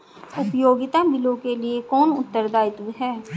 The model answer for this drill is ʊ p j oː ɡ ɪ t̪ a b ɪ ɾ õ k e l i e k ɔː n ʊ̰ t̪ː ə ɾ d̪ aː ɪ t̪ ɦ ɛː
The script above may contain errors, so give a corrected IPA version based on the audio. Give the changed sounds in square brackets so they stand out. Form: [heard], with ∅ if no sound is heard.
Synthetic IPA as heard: ʊ p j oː ɡ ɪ t̪ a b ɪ [l] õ k e l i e k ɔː n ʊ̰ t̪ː ə ɾ d̪ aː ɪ t̪ ɦ ɛː